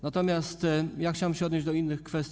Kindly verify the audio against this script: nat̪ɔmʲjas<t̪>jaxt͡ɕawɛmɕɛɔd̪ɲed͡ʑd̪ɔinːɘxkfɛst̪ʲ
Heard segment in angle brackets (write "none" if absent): t̪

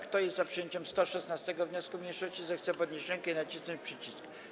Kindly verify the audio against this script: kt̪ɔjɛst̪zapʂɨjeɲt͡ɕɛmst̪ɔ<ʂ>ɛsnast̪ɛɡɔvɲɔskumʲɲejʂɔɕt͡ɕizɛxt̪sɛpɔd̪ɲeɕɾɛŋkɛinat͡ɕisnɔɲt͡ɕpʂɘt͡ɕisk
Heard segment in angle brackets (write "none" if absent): ʂ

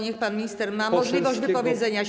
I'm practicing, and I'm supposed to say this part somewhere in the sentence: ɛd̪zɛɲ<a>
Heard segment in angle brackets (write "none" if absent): a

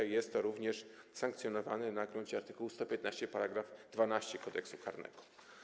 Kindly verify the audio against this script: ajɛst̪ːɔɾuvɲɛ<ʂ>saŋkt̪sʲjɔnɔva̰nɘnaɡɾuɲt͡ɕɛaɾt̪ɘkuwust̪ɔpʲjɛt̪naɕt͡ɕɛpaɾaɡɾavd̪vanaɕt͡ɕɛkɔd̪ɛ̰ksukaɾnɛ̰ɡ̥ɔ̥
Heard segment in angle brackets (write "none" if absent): ʂ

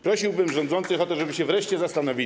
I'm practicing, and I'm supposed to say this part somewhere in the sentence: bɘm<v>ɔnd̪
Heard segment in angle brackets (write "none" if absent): ʐ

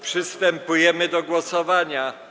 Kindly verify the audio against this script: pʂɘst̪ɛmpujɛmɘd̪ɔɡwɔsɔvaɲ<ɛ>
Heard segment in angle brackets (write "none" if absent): a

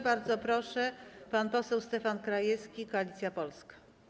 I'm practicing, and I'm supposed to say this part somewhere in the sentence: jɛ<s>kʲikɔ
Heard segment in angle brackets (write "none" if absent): s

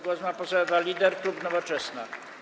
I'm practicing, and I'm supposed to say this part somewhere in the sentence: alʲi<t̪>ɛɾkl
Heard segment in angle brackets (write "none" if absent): d̪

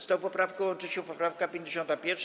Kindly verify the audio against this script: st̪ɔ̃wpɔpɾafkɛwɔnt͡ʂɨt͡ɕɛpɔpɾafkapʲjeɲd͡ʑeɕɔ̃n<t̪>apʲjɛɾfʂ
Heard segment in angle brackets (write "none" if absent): t̪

